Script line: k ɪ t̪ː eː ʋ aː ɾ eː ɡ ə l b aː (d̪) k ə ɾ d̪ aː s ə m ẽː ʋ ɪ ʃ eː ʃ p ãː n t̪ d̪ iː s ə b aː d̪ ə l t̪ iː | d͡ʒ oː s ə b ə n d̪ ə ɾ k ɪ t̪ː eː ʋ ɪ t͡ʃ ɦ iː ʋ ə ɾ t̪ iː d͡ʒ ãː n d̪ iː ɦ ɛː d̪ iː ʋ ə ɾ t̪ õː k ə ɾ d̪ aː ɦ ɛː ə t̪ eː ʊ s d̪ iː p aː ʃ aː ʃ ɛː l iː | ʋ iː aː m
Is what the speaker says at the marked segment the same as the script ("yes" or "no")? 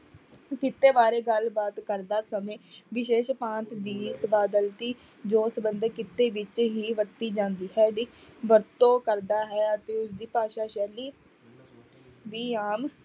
no